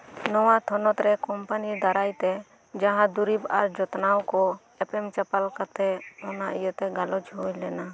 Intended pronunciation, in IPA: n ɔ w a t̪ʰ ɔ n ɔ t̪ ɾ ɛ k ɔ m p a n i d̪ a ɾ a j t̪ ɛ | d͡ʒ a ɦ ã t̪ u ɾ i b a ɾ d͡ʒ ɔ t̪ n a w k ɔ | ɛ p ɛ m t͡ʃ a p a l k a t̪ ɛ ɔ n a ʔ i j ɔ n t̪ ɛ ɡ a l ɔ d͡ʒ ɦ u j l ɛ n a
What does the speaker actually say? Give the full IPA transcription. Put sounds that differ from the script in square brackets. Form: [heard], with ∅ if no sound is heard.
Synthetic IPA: n ɔ w a t̪ʰ ɔ n ɔ t̪ ɾ ɛ k ɔ m p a n i d̪ a ɾ a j t̪ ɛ | d͡ʒ a ɦ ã [d̪] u ɾ i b a ɾ d͡ʒ ɔ t̪ n a w k ɔ | ɛ p ɛ m t͡ʃ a p a l k a t̪ ɛ ɔ n a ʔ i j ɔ [∅] t̪ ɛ ɡ a l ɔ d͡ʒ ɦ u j l ɛ n a